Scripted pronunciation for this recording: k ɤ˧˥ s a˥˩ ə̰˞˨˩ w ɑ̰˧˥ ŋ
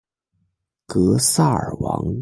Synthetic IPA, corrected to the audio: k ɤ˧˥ s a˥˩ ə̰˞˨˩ w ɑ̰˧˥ ŋ